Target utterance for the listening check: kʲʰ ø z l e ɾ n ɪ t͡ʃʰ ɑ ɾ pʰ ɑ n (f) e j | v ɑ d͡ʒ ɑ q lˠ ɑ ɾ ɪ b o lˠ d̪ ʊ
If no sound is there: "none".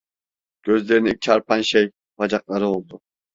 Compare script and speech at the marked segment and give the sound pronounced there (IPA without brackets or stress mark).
ʃ